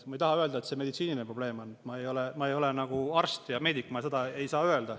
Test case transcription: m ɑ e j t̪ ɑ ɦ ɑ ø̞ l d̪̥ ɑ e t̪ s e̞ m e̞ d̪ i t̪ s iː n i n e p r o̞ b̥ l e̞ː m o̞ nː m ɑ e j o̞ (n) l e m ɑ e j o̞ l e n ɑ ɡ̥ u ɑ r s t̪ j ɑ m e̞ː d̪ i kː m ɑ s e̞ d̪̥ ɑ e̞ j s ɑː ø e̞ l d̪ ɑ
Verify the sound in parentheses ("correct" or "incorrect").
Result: incorrect